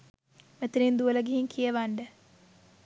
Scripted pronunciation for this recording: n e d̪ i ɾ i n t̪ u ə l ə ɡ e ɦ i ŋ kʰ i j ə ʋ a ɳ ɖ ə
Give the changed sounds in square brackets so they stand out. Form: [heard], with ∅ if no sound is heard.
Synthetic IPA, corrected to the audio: [m] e [t̪] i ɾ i n [d̪] u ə l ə ɡ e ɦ i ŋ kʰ i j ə ʋ a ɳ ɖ ə